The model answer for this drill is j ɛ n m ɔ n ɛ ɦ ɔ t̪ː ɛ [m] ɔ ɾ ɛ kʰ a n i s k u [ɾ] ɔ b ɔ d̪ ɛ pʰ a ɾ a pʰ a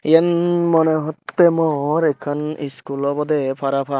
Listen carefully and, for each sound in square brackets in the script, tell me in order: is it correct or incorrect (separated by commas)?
correct, incorrect